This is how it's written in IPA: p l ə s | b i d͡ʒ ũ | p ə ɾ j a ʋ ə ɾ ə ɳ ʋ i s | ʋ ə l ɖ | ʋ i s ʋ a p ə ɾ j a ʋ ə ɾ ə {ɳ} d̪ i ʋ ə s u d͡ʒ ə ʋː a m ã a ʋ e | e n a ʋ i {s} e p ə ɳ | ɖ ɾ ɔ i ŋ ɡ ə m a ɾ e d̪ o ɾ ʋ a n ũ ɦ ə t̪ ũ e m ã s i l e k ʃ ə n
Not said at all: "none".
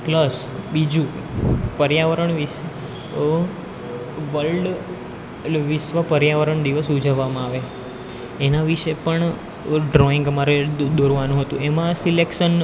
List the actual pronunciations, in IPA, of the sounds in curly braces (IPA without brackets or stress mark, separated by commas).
ɳ, ʃ